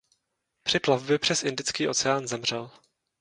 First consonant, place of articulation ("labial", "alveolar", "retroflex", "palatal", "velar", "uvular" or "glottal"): labial